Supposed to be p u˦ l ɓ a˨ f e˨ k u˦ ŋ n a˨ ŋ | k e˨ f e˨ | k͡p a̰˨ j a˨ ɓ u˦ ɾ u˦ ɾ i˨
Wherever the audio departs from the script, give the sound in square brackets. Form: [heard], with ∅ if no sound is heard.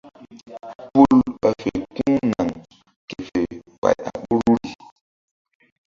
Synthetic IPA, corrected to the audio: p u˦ l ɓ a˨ f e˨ k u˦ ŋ n a˨ ŋ | k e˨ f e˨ | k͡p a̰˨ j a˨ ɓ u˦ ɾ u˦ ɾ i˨